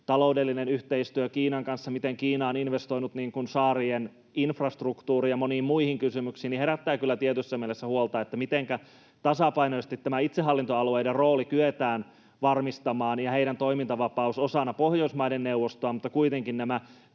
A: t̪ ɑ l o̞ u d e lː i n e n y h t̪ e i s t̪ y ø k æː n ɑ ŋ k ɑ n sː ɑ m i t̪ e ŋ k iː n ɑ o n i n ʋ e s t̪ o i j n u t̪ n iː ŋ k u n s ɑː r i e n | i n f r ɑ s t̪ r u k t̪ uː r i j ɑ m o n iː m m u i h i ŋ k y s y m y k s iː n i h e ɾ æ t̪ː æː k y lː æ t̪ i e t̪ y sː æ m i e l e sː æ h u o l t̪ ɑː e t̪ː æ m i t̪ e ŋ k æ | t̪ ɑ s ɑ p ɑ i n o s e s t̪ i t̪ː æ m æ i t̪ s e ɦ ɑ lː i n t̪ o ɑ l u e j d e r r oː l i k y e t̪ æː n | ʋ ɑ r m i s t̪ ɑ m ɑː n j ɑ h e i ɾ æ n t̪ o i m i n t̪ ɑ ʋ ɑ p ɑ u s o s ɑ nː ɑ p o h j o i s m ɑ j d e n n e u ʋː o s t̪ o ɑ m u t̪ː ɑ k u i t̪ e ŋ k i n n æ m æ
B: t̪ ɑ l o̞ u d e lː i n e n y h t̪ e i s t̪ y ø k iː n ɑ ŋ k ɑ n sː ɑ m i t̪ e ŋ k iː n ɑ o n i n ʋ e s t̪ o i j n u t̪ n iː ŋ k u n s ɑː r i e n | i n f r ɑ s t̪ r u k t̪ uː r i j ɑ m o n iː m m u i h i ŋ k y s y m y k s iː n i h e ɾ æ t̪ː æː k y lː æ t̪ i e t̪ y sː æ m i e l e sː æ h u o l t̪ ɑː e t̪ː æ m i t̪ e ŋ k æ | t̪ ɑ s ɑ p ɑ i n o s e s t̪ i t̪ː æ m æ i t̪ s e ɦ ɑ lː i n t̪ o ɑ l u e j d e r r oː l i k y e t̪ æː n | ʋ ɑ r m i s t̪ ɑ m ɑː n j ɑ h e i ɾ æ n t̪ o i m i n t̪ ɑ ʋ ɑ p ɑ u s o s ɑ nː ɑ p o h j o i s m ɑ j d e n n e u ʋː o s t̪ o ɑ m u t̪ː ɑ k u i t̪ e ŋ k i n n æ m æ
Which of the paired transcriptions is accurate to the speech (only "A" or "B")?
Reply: B